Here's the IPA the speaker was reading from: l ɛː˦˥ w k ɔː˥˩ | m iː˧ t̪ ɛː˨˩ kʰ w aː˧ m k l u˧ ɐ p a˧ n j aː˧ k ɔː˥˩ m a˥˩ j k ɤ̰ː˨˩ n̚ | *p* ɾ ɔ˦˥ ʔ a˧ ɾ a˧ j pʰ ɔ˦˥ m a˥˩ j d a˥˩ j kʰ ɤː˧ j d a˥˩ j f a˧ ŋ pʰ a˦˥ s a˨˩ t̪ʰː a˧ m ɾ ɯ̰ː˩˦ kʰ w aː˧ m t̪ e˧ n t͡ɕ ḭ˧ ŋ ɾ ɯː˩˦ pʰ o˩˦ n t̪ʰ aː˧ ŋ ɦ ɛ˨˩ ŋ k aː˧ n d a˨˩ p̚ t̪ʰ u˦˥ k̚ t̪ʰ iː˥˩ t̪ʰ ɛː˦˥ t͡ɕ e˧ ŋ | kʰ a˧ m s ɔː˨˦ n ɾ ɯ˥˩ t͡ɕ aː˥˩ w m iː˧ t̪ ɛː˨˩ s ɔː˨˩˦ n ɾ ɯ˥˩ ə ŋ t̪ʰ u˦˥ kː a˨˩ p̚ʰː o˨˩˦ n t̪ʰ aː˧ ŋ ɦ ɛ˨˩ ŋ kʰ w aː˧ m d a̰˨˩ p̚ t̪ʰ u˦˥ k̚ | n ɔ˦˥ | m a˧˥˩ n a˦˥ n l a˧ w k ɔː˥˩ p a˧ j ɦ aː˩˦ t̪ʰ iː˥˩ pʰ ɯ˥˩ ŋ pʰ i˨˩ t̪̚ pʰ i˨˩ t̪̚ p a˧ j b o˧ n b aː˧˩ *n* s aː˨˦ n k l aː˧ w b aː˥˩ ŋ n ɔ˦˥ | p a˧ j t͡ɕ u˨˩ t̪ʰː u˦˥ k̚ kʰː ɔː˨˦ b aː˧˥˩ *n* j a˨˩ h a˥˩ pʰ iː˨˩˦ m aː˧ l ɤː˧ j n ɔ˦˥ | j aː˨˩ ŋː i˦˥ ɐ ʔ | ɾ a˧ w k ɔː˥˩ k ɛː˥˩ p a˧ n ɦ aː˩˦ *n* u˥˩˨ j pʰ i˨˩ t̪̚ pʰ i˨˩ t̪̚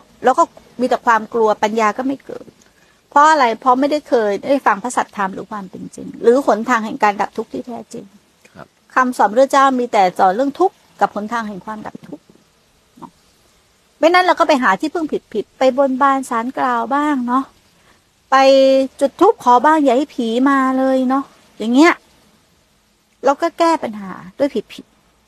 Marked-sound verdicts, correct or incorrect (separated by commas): incorrect, correct, incorrect, incorrect